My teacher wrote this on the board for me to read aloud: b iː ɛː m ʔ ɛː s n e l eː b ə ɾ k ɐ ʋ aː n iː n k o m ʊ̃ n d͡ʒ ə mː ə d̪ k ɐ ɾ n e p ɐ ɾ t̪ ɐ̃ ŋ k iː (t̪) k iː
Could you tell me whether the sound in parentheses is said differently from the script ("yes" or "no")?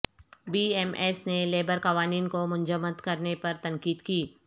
yes